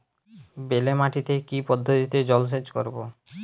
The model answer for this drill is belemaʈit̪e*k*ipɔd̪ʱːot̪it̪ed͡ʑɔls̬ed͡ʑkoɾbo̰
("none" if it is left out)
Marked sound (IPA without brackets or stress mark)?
k